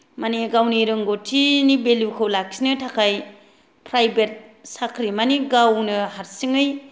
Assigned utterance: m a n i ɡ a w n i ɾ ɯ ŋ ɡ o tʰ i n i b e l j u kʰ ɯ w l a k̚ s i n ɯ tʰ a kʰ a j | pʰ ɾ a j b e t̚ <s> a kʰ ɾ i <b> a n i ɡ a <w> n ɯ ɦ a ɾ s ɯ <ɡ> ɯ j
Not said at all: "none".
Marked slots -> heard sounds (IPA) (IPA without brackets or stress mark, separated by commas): s, m, w, ŋ